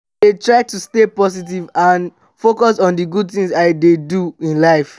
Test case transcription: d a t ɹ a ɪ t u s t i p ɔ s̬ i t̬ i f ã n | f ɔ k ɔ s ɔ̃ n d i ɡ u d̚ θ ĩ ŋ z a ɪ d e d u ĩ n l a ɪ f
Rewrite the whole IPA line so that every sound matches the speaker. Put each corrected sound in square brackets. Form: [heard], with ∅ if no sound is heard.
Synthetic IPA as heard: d [e] t ɹ a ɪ t u s t [e] p ɔ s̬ i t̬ i [v] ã n | f [o] k ɔ s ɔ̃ n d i ɡ u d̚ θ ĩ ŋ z a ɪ d e d u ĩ n l a ɪ f